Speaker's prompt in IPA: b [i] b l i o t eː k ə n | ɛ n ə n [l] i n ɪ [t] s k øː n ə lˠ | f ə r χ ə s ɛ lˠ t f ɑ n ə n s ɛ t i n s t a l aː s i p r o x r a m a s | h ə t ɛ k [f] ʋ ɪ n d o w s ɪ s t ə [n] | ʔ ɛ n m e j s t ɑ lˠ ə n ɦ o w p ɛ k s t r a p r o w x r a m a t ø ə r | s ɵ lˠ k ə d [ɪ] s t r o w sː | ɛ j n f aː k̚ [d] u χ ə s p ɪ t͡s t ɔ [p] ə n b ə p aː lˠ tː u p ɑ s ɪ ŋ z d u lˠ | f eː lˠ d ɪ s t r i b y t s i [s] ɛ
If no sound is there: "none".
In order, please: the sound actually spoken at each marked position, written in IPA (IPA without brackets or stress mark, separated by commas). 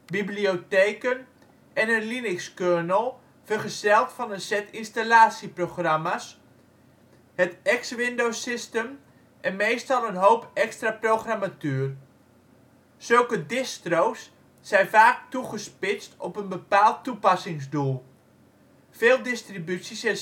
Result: i, l, k, s, m, ɪ, t, p, s